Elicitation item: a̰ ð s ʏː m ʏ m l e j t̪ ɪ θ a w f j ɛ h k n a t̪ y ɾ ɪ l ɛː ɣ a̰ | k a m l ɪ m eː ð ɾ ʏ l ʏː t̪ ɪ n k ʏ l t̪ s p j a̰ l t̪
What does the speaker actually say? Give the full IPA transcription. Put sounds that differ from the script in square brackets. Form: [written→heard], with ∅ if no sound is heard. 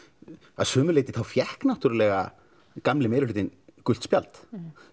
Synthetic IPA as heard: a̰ ð s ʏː m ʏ [m→∅] l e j t̪ ɪ θ a w f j ɛ h k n a t̪ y ɾ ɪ l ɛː ɣ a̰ | k a m l ɪ m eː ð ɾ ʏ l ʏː t̪ ɪ n k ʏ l t̪ s p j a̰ l t̪